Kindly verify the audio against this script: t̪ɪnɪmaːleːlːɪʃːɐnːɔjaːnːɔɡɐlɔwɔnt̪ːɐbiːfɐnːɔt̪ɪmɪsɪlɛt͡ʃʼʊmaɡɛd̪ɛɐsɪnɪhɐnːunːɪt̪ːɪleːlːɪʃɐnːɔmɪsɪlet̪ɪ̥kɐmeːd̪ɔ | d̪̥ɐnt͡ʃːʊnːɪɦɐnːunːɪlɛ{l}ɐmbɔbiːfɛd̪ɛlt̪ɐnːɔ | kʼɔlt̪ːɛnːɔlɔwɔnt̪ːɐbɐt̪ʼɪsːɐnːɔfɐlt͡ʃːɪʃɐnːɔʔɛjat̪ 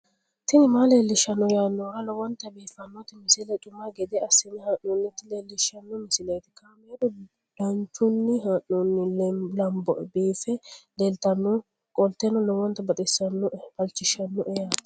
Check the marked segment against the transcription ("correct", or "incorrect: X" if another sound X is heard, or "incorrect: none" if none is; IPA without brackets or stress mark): correct